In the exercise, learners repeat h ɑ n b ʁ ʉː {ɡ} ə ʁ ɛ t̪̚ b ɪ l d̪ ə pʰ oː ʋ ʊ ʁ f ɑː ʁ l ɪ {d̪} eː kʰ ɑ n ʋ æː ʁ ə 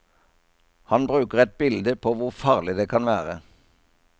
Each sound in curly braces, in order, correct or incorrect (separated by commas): incorrect, correct